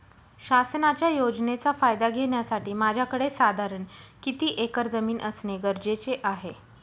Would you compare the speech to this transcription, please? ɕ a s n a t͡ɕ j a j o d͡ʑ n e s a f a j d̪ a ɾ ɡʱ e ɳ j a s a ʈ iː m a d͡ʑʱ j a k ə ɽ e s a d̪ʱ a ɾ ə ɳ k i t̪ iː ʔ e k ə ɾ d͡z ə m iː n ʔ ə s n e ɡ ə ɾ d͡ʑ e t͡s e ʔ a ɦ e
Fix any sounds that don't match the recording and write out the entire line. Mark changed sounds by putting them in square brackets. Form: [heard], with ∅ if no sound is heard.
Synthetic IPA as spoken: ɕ a s n a t͡ɕ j a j o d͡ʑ n e [t͡s] a f a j d̪ a [∅] ɡʱ e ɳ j a s a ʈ iː m a d͡ʑʱ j a k ə ɽ e s a d̪ʱ a ɾ ə ɳ k i t̪ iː ʔ e k ə ɾ d͡z ə m iː n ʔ ə s n e ɡ ə ɾ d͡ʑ e t͡s e ʔ a ɦ e